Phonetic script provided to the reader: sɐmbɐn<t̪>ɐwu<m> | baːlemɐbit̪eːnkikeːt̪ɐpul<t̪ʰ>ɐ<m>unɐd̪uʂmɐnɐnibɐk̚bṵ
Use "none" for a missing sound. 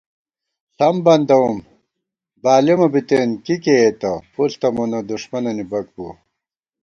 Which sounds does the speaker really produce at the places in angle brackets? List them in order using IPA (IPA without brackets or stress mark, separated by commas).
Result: d̪, m, t̪, m